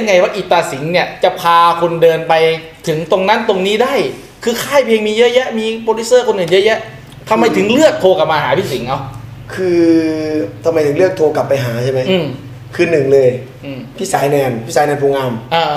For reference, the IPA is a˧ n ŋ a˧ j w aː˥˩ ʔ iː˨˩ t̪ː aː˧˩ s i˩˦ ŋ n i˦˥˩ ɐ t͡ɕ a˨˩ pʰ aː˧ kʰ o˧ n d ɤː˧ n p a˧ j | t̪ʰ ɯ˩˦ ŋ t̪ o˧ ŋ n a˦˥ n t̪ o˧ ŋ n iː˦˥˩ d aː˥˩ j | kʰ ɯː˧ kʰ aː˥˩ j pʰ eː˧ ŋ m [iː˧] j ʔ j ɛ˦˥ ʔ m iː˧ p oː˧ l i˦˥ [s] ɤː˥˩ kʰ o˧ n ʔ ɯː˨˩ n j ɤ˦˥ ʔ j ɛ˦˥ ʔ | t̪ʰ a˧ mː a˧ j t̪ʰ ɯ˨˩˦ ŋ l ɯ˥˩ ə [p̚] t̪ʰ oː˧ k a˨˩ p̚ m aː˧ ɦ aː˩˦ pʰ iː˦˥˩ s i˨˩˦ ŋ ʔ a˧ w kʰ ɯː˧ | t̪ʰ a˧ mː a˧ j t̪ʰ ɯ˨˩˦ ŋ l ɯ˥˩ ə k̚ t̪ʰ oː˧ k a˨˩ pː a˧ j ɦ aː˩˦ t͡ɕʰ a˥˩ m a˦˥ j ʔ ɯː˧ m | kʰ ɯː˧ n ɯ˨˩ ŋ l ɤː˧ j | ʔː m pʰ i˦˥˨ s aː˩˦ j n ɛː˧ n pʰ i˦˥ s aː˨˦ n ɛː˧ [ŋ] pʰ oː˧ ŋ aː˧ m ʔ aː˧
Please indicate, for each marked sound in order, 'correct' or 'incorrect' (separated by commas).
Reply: correct, correct, incorrect, incorrect